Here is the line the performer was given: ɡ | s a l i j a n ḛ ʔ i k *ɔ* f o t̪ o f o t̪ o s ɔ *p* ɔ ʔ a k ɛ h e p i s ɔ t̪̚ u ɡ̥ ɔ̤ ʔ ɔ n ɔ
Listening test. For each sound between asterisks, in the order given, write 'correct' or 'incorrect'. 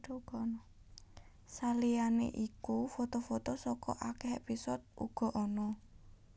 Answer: incorrect, incorrect

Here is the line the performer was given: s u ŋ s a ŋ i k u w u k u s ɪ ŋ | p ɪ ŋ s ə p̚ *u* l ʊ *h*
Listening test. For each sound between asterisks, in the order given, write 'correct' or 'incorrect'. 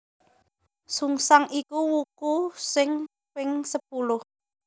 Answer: correct, correct

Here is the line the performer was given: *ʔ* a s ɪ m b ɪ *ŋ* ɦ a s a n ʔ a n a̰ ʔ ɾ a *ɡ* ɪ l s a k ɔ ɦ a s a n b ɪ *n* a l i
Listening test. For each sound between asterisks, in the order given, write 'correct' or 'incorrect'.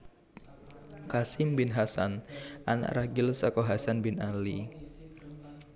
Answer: incorrect, incorrect, correct, correct

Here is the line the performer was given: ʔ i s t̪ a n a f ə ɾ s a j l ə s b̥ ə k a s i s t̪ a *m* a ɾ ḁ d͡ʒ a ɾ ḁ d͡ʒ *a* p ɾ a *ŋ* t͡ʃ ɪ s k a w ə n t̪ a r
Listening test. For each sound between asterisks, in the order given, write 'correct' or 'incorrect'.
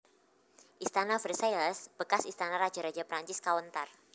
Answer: incorrect, correct, incorrect

